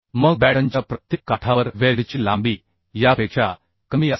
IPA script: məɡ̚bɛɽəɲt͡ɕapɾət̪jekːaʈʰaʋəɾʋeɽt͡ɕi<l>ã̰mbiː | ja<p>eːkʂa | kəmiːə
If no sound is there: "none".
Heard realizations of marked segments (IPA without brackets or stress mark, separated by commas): l, p